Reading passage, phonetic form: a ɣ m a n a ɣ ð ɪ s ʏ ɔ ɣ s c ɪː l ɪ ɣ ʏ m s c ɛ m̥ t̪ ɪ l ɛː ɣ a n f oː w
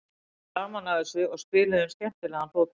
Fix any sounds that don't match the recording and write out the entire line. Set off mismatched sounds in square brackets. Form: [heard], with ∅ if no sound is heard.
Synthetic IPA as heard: a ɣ m a n a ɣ ð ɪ s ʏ ɔ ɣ s [p] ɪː l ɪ [ð] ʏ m s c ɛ m̥ t̪ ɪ l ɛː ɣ a n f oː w